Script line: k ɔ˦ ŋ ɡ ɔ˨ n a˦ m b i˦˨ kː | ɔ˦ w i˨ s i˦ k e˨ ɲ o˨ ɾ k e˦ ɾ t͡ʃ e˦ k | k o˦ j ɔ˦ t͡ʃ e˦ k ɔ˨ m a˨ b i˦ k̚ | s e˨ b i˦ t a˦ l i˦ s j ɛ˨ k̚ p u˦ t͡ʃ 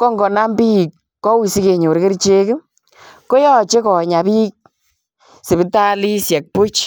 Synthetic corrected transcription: k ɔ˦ ŋ ɡ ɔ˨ n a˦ m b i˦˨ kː | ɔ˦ w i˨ s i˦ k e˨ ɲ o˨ ɾ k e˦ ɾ t͡ʃ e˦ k | k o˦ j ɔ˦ t͡ʃ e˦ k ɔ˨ ɲ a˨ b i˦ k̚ | s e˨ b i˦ t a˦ l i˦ s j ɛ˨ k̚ p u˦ t͡ʃ